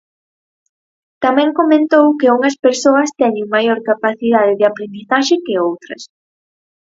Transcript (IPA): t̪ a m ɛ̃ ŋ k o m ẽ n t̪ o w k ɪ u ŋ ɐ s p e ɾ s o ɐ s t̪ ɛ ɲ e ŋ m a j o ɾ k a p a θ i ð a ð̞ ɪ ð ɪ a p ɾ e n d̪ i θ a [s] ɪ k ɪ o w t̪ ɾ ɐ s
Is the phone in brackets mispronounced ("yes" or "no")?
yes